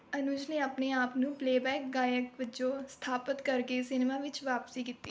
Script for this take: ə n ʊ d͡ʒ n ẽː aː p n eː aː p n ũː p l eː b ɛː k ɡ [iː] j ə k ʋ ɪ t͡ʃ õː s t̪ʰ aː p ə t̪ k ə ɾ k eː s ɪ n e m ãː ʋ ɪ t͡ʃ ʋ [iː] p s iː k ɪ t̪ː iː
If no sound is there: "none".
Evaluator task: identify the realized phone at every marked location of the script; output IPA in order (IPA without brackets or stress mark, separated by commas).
aː, aː